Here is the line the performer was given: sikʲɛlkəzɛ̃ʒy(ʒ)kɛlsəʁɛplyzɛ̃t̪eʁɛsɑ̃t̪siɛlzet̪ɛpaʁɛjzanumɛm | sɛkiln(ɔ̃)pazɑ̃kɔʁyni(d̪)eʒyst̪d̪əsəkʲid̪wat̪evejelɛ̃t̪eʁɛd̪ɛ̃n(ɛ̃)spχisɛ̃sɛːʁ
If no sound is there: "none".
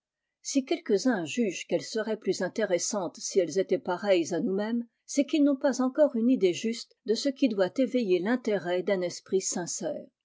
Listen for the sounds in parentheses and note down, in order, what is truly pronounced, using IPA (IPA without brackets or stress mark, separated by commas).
ʒ, ɔ̃, d̪, ɛ